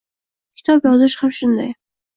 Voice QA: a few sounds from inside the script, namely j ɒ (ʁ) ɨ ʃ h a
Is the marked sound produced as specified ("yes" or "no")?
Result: no